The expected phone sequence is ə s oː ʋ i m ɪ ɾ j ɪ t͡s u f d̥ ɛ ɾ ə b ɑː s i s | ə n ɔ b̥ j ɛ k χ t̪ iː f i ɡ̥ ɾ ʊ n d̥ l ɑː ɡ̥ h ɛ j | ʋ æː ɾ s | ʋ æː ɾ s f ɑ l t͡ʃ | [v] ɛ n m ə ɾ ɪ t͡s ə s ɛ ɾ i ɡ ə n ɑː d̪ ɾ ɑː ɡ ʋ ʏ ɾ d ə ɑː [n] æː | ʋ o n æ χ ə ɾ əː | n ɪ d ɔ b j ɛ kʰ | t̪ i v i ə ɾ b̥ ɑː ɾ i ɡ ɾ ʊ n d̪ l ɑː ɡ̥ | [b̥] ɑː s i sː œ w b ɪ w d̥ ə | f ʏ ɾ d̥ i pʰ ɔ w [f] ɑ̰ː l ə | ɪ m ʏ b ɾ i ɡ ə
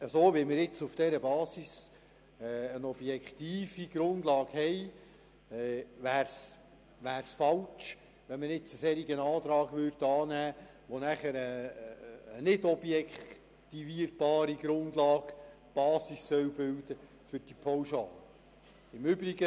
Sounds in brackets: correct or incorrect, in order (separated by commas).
incorrect, correct, correct, incorrect